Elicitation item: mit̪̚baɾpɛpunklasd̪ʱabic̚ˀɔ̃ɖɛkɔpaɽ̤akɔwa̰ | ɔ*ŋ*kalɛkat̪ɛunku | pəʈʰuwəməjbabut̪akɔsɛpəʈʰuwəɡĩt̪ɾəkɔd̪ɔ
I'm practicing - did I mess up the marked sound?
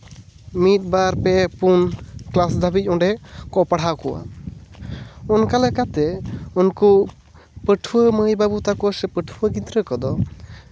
yes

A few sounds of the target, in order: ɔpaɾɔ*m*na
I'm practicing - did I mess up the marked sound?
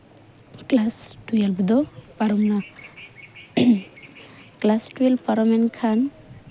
no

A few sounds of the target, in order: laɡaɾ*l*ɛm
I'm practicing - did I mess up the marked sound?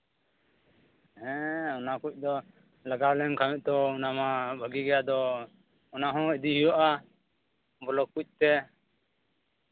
no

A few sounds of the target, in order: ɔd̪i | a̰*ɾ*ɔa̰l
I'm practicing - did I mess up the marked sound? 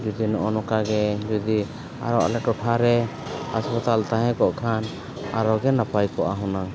no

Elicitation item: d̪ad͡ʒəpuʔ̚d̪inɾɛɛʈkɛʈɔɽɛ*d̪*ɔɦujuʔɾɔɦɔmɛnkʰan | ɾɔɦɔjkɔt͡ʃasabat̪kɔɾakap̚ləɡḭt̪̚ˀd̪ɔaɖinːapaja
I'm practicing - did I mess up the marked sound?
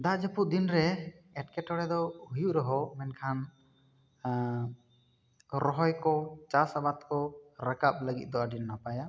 no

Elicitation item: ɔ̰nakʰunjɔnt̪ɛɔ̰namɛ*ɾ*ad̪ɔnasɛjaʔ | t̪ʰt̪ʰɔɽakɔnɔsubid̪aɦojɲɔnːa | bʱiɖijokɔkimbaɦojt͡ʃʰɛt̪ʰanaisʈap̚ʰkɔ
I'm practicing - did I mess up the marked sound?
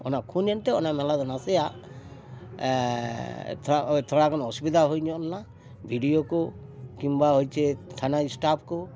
yes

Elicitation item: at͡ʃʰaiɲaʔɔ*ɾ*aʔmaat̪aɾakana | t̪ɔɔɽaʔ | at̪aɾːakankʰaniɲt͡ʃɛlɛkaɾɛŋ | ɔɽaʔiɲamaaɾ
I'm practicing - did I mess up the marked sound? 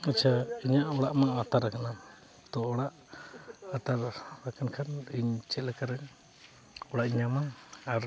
yes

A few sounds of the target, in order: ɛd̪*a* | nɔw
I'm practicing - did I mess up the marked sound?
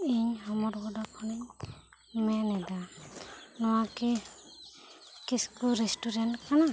no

